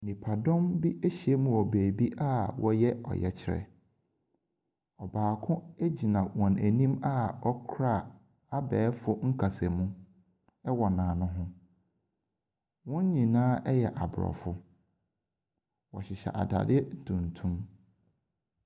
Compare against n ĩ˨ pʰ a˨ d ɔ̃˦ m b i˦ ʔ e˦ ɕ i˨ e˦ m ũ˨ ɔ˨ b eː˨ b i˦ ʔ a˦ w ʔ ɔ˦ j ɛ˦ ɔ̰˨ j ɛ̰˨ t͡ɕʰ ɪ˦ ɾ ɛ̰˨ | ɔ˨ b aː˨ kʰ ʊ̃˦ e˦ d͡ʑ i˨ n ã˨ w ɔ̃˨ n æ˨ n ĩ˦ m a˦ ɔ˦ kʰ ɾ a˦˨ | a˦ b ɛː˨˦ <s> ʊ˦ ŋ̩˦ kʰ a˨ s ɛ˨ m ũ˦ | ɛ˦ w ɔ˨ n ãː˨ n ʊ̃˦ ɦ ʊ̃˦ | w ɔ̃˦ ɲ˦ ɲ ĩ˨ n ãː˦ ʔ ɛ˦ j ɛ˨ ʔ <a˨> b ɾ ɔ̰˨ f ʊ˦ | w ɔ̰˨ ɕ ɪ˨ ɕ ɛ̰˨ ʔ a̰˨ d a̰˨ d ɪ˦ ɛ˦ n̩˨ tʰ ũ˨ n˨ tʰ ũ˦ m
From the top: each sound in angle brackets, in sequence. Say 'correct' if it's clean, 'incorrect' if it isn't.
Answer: incorrect: f, correct

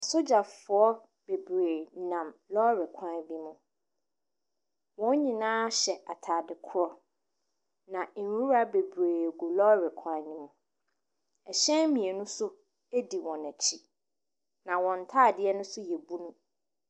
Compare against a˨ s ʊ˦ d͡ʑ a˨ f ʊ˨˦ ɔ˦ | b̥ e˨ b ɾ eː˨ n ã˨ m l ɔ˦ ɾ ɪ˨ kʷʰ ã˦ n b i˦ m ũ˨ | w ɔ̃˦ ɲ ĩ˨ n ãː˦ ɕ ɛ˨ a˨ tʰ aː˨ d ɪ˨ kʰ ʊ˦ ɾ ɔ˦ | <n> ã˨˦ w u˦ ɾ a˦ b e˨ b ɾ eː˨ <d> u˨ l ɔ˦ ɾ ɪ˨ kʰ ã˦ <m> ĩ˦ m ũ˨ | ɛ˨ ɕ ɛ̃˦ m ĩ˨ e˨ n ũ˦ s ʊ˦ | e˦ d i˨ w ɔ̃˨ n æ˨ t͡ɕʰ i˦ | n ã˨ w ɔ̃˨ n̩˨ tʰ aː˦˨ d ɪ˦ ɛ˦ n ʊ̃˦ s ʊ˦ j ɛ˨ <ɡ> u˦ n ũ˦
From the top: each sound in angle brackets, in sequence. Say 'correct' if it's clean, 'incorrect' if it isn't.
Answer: correct, incorrect: ɡ, incorrect: ɲ, incorrect: b

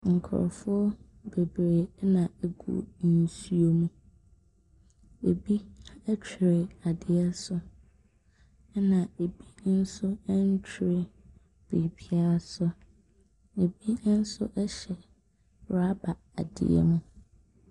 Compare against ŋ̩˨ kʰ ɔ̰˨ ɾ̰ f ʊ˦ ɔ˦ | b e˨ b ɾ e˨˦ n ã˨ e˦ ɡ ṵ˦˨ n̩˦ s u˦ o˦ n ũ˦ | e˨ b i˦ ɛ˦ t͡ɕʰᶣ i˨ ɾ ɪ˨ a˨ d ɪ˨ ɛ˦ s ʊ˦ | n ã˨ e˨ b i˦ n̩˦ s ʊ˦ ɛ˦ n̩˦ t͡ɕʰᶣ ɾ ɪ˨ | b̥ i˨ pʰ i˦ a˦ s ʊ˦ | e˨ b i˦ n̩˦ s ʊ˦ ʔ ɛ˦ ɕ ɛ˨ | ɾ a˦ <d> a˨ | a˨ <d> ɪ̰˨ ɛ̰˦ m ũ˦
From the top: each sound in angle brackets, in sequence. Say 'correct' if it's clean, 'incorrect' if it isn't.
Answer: incorrect: b, correct

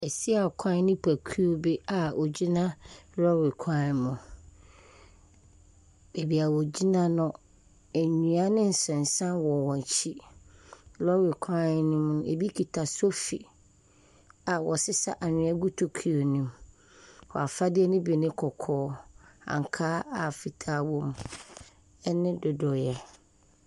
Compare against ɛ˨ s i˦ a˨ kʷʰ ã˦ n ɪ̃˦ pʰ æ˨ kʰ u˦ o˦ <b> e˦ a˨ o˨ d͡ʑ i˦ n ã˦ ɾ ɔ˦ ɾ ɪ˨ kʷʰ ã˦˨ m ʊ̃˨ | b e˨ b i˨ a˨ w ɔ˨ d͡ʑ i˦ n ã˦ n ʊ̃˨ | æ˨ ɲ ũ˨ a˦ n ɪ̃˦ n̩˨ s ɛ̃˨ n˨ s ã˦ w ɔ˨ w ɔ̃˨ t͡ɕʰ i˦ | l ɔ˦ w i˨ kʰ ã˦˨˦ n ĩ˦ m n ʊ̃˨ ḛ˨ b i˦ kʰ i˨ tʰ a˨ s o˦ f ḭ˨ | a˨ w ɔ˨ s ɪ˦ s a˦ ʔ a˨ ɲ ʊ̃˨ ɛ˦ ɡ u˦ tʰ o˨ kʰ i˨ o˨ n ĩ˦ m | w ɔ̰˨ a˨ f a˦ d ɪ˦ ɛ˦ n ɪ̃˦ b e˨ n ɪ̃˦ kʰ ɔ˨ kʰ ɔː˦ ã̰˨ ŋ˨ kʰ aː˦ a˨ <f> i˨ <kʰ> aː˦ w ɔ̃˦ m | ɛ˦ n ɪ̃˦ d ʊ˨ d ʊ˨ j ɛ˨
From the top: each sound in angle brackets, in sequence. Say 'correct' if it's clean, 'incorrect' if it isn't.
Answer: correct, correct, incorrect: tʰ

